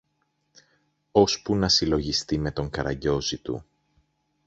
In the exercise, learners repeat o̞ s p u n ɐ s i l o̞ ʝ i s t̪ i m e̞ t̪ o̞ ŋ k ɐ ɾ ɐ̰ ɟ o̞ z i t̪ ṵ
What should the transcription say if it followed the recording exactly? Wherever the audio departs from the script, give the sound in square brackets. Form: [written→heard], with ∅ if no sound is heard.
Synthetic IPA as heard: o̞ s p u n ɐ s i l o̞ ʝ i s t̪ i m e̞ t̪ o̞ ŋ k ɐ ɾ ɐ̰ ɟ o̞ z i t̪ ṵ